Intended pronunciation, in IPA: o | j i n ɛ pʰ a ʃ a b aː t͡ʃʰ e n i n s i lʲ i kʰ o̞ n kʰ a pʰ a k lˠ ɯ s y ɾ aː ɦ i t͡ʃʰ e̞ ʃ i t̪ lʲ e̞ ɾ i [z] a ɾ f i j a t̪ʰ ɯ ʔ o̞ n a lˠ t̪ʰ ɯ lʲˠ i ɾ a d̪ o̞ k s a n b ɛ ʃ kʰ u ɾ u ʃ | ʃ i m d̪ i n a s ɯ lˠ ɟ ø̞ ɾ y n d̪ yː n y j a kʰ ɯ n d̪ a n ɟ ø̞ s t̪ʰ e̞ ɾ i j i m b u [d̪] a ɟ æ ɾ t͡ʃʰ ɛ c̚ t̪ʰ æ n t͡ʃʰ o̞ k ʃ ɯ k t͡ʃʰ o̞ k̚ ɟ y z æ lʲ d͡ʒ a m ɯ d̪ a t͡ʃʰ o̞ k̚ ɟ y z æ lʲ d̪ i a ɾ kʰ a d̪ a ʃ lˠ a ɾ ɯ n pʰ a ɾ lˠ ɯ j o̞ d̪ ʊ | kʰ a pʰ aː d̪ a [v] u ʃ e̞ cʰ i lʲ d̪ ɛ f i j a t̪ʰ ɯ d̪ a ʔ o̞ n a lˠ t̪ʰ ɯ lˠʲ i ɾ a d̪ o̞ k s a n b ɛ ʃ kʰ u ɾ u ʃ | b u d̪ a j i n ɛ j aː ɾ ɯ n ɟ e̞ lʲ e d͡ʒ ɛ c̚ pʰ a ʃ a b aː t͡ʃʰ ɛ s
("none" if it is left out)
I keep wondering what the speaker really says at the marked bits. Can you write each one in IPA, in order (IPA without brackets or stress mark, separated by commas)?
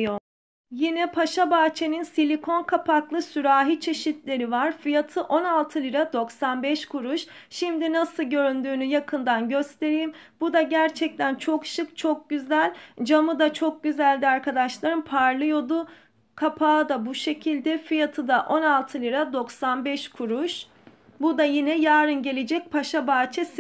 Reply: v, d̪, b